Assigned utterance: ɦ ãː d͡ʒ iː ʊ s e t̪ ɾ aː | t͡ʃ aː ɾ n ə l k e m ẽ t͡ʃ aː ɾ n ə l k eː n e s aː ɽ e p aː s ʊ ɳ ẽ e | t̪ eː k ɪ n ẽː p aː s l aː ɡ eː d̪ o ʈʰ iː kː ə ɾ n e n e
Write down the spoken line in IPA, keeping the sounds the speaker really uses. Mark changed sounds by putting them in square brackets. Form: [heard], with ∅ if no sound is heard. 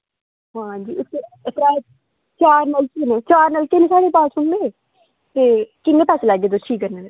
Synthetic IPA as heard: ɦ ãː d͡ʒ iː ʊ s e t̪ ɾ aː | t͡ʃ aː ɾ n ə l k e [n] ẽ t͡ʃ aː ɾ n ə l k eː n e s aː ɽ e p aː s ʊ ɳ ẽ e | t̪ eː k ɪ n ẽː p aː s l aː ɡ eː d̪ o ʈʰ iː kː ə ɾ n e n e

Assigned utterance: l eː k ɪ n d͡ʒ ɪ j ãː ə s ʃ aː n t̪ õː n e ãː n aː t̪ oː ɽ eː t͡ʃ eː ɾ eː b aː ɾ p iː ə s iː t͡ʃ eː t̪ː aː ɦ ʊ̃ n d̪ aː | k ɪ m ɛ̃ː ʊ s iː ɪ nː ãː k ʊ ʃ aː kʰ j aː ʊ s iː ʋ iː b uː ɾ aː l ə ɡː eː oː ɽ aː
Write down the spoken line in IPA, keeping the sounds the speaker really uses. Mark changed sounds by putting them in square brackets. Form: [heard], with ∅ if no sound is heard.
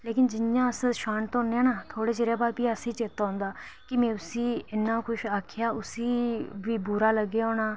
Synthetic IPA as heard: l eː k ɪ n d͡ʒ ɪ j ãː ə s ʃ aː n t̪ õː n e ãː n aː [t̪ʰ] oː ɽ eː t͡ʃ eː ɾ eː b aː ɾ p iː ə s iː t͡ʃ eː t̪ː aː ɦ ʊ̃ n d̪ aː | k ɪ m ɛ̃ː ʊ s iː ɪ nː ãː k ʊ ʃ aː kʰ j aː ʊ s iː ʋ iː b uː ɾ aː l ə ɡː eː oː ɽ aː

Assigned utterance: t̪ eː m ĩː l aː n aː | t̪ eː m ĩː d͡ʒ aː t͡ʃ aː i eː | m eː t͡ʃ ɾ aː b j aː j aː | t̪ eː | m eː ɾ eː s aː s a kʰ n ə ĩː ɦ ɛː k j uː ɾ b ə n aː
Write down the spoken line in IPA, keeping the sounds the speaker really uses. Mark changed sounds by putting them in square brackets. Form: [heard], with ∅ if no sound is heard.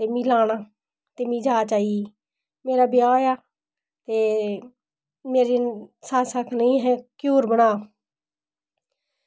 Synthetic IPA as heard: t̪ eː m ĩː l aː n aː | t̪ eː m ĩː d͡ʒ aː t͡ʃ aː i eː | m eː [∅] ɾ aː b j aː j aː | t̪ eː | m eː ɾ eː s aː s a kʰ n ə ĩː ɦ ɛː k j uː ɾ b ə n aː

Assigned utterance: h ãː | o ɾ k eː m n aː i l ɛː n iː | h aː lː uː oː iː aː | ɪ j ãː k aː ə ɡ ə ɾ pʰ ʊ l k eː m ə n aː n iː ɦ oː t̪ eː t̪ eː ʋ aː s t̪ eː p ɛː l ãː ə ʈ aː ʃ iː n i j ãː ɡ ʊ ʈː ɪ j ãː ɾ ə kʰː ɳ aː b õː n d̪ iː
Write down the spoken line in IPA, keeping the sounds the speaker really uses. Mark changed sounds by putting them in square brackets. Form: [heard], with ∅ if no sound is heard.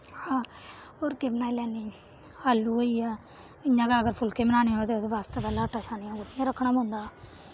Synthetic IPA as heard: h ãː | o ɾ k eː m n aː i l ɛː n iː | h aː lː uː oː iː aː | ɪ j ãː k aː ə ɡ ə ɾ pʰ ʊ l k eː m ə n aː n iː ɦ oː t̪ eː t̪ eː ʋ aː s t̪ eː p ɛː l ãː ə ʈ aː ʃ [aː] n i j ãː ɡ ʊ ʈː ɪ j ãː ɾ ə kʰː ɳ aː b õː n d̪ [aː]

